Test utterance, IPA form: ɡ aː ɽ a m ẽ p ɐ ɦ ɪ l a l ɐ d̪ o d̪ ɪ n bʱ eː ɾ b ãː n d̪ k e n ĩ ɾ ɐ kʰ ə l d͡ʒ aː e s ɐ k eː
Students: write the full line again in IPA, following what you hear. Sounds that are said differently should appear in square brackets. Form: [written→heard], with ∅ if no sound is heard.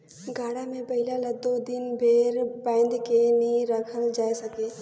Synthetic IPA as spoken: ɡ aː ɽ a m ẽ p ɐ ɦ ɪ l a l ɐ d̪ o d̪ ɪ n bʱ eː ɾ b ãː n d̪ k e n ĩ ɾ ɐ kʰ ə l d͡ʒ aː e s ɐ k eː